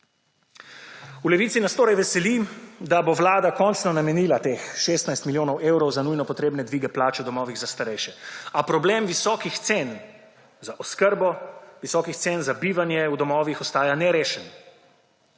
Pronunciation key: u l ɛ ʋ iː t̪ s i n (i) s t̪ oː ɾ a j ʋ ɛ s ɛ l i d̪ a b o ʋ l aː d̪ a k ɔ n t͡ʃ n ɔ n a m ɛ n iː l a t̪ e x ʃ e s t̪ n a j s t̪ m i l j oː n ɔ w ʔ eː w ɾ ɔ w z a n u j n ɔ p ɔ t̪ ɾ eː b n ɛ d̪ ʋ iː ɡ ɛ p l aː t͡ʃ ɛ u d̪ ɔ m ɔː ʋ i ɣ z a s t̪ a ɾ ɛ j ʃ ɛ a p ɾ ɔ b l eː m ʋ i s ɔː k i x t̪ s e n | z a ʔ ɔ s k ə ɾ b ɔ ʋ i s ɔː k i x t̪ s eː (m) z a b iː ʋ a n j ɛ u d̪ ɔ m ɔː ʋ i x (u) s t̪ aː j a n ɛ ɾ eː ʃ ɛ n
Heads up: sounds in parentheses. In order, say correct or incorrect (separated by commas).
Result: incorrect, incorrect, incorrect